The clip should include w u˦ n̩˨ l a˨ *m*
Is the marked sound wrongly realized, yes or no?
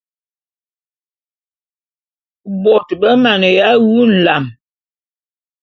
no